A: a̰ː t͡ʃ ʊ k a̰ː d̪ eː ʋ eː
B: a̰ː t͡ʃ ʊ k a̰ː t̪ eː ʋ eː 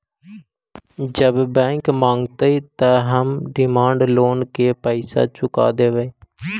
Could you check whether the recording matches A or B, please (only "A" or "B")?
A